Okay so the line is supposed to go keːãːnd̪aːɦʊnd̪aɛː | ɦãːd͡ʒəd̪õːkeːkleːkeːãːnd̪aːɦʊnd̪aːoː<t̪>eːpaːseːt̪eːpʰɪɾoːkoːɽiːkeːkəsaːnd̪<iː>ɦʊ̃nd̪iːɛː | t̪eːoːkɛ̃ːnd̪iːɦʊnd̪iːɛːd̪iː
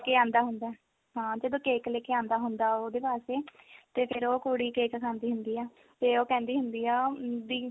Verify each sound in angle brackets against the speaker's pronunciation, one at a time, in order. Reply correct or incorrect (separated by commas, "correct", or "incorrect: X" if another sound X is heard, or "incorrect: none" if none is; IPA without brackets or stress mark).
incorrect: d̪, correct